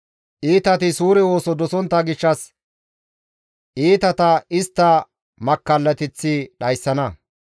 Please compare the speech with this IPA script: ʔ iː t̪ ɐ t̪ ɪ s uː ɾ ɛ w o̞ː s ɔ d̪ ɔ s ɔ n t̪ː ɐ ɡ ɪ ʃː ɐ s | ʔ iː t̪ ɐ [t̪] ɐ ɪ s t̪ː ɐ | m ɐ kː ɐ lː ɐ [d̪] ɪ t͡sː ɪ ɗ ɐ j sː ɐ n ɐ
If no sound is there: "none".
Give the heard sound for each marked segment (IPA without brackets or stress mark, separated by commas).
t̪, t̪